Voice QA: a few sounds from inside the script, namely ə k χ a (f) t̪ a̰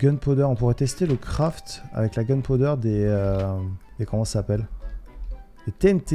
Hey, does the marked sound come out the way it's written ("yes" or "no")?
yes